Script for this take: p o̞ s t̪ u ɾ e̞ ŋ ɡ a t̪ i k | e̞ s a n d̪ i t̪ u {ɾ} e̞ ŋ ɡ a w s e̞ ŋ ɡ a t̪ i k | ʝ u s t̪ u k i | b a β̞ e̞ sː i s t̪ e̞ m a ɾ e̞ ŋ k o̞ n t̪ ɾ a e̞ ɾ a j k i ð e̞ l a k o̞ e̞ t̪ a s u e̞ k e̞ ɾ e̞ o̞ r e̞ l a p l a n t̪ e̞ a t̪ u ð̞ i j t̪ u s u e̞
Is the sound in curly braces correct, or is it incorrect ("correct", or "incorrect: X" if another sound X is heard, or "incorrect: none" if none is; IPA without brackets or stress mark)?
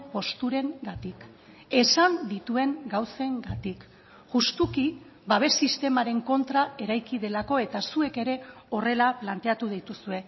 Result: incorrect: none